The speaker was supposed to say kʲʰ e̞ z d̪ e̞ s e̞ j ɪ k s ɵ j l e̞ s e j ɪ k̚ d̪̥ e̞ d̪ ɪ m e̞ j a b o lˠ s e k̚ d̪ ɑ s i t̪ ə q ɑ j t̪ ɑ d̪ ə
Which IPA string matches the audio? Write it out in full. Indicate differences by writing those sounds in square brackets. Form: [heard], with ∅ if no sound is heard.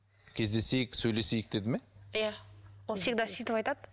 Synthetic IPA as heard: kʲʰ e̞ z d̪ e̞ s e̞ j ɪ k s ɵ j l e̞ s e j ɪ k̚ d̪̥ e̞ d̪ ɪ m e̞ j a [w] o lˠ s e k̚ d̪ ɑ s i t̪ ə [p] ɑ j t̪ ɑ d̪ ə